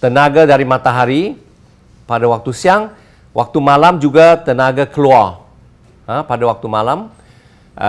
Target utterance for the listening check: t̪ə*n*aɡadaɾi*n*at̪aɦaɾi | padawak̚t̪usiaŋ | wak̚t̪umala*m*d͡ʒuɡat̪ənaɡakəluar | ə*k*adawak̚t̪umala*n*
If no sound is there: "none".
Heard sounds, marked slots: n, m, m, p, m

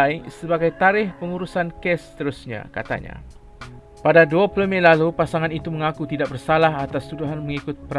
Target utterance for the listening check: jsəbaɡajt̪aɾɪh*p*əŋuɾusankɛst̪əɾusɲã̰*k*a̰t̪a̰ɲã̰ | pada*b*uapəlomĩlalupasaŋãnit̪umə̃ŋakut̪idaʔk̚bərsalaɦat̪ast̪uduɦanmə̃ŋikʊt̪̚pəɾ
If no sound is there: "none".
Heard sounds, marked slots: p, k, d

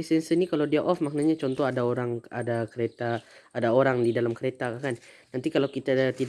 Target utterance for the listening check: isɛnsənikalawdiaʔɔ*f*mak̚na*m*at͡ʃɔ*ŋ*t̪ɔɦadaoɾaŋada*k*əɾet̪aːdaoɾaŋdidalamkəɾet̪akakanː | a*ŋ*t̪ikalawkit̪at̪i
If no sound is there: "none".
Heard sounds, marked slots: f, ɲ, n, k, n

